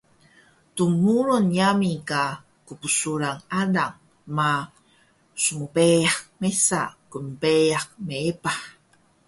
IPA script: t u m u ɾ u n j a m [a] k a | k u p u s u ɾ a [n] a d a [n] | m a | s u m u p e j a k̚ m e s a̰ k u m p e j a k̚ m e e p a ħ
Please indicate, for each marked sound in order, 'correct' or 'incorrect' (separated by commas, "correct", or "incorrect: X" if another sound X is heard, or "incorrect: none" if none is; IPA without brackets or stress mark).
incorrect: i, incorrect: ŋ, incorrect: ŋ